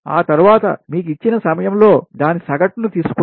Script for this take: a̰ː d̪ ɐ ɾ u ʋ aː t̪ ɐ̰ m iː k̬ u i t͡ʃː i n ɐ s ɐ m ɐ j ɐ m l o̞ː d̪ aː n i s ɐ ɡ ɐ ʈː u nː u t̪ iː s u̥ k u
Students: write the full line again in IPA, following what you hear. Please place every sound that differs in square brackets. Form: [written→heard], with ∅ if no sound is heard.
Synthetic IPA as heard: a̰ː [d̪→t̪] ɐ ɾ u ʋ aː t̪ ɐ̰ m iː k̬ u i t͡ʃː i n ɐ s ɐ m ɐ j ɐ m l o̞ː d̪ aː n i s ɐ ɡ ɐ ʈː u [nː→n] u t̪ iː s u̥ k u

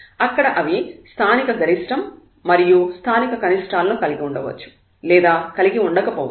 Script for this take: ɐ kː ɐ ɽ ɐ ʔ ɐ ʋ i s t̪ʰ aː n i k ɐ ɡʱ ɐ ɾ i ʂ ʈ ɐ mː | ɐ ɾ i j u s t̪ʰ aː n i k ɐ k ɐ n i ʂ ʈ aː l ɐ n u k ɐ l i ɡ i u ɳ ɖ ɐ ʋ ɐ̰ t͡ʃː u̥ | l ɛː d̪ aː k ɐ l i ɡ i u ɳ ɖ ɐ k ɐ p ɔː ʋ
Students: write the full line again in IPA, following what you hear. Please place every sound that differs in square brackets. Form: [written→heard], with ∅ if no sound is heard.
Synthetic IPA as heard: ɐ kː ɐ ɽ ɐ ʔ ɐ ʋ i s t̪ʰ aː n i k ɐ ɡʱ ɐ ɾ i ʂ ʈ ɐ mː | ɐ ɾ i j u s t̪ʰ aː n i k ɐ k ɐ n i ʂ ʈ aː l ɐ n u k ɐ l i ɡ i u ɳ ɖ ɐ ʋ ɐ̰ t͡ʃː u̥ | l ɛː d̪ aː k ɐ l i ɡ i u ɳ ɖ ɐ k ɐ p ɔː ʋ

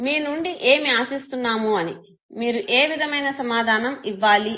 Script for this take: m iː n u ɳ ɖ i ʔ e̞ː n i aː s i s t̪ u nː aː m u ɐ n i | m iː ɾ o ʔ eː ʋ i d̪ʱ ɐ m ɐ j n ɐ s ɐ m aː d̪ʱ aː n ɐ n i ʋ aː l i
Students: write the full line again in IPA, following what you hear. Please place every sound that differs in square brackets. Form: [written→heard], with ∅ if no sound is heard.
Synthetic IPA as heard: m iː n u ɳ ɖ i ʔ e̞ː [n→m] i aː s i s t̪ u nː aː m u ɐ n i | m iː ɾ [o→u] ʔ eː ʋ i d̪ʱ ɐ m ɐ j n ɐ s ɐ m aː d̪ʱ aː n ɐ [n→m] i [ʋ→ʋː] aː l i

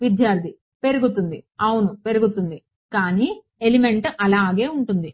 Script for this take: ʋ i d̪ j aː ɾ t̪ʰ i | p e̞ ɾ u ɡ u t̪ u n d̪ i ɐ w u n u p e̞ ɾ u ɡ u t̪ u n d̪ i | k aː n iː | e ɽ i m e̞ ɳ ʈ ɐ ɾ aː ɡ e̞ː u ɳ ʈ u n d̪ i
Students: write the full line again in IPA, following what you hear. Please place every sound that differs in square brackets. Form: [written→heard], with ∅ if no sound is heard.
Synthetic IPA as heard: ʋ i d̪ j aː ɾ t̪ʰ i | p e̞ ɾ u ɡ u t̪ u n d̪ i ɐ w u n u p e̞ ɾ u ɡ u t̪ u n d̪ i | k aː n iː | e [ɽ→l] i m e̞ ɳ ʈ ɐ [ɾ→l] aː ɡ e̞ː u ɳ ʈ u n d̪ i

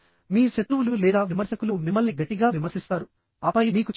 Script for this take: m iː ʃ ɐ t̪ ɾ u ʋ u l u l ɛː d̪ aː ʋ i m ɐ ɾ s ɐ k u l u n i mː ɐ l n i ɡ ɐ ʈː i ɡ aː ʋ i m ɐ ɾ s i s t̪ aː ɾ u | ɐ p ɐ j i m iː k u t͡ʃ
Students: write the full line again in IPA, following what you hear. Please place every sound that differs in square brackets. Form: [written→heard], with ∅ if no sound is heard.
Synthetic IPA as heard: m iː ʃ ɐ t̪ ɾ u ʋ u l u l ɛː d̪ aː ʋ i m ɐ ɾ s ɐ k u l u [n→m] i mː ɐ l n i ɡ ɐ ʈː i ɡ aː ʋ i m ɐ ɾ s i s t̪ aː ɾ u | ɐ p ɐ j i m iː k u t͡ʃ

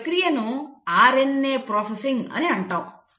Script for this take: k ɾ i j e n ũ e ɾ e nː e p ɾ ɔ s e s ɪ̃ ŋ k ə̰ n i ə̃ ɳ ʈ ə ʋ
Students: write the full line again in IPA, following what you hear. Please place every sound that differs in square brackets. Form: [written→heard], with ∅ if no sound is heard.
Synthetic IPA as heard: k ɾ i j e n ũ [e→a] ɾ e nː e p ɾ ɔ s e s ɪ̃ ŋ [k→ɡ] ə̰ n [i→e] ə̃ ɳ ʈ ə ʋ

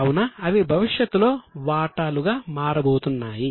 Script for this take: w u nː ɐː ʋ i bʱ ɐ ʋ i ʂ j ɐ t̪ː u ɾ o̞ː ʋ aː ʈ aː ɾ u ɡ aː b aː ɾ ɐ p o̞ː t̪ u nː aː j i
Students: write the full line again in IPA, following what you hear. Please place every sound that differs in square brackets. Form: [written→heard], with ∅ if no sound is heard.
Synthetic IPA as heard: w u [nː→n] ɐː ʋ i bʱ ɐ ʋ i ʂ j ɐ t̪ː u [ɾ→l] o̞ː ʋ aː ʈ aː [ɾ→l] u ɡ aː [b→m] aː ɾ ɐ [p→b] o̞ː t̪ u nː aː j i

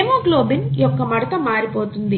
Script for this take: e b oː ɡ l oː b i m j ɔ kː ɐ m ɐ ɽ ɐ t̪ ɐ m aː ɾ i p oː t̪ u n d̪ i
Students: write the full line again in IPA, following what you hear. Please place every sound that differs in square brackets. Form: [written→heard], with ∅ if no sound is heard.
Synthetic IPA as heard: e [b→m] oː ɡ l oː b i [m→n] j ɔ kː ɐ m ɐ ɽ ɐ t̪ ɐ m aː ɾ i p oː t̪ u n d̪ i

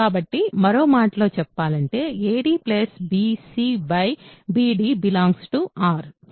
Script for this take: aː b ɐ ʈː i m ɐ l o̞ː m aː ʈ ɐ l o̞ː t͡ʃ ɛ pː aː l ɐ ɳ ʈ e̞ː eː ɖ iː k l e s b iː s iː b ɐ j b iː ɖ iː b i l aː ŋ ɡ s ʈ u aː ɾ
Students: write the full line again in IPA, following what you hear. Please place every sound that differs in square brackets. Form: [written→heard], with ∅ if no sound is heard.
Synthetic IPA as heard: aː b ɐ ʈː i m ɐ [l→ɾ] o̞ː m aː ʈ ɐ l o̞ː t͡ʃ ɛ pː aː l ɐ ɳ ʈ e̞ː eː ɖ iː [k→p] l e s b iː s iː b ɐ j b iː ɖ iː b i l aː ŋ ɡ s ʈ u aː ɾ

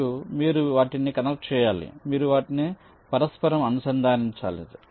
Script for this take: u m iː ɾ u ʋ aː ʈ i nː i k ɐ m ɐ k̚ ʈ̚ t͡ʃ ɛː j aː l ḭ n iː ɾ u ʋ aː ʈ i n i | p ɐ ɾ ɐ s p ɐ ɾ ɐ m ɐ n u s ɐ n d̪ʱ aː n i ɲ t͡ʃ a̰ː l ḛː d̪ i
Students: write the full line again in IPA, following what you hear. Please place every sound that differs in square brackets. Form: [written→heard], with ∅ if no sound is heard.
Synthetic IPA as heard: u m iː ɾ u ʋ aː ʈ i [nː→n] i k ɐ [m→n] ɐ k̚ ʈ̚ t͡ʃ ɛː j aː l ḭ [n→m] iː ɾ u ʋ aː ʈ i n i | p ɐ ɾ ɐ s p ɐ ɾ ɐ m ɐ n u s ɐ n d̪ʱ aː n i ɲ t͡ʃ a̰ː l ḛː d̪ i

